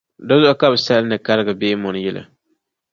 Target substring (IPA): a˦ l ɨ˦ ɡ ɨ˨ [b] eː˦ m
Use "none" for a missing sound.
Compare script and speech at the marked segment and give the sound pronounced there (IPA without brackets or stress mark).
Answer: b